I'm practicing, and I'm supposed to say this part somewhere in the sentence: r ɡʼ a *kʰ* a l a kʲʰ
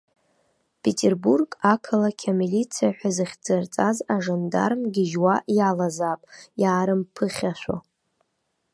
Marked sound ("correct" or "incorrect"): correct